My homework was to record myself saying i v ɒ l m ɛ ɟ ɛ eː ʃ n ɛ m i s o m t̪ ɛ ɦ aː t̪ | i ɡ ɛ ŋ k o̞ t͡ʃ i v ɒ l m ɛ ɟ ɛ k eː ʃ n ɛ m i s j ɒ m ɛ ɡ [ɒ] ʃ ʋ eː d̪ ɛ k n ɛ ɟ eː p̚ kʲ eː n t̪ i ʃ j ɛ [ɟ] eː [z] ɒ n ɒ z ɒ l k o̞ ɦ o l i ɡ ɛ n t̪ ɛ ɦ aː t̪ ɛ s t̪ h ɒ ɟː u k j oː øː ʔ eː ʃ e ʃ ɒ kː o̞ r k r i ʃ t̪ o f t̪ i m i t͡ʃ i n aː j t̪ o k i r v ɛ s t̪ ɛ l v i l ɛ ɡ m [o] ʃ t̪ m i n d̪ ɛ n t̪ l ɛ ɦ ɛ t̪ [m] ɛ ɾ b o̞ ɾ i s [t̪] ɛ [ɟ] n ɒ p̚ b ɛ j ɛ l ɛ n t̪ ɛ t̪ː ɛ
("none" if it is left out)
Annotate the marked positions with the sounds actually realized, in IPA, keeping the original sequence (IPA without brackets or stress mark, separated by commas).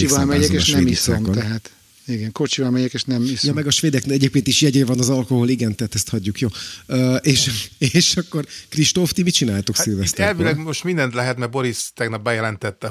ɒ, ɟ, v, o, m, t̪, ɡ